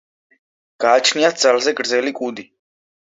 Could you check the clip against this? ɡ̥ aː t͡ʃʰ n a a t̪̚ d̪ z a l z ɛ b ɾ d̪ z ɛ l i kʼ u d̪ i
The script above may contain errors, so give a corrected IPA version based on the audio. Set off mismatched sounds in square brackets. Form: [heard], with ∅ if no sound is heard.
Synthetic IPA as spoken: ɡ̥ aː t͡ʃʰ n [i] a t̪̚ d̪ z a l z ɛ [ɡ] ɾ d̪ z ɛ l i kʼ u d̪ i